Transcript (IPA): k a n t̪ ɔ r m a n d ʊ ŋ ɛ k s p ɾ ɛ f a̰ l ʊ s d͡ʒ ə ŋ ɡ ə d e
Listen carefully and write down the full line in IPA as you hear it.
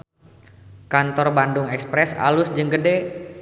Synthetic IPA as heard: k a n t̪ ɔ r b a n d ʊ ŋ ɛ k s p ɾ ɛ s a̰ l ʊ s d͡ʒ ə ŋ ɡ ə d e